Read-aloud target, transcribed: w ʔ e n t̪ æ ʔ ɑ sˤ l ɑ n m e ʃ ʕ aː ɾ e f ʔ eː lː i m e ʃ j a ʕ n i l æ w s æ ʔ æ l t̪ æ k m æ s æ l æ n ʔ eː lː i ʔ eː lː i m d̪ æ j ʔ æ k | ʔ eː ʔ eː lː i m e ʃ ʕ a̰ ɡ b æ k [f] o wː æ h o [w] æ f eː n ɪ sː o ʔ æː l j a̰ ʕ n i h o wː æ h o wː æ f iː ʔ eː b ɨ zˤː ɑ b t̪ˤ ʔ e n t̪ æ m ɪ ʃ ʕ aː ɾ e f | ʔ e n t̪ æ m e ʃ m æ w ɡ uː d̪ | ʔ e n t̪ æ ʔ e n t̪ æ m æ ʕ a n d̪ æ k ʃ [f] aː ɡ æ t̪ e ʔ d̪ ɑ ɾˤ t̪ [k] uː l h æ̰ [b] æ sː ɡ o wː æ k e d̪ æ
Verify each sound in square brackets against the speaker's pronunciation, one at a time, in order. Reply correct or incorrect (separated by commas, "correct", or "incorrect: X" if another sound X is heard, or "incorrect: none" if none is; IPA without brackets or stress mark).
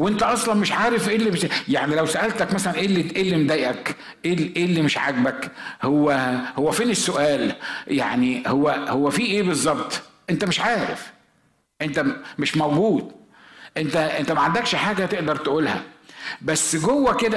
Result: incorrect: h, incorrect: wː, incorrect: ħ, incorrect: ʔ, correct